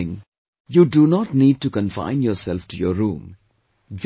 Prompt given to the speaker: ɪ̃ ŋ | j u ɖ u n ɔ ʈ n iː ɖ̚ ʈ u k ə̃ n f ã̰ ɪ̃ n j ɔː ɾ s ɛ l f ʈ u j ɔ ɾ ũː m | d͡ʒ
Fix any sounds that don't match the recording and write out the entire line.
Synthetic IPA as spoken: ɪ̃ ŋ | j u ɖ u n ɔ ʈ n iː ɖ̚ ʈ u k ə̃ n f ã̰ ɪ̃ n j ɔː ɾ s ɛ l f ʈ u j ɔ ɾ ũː m | d͡ʒ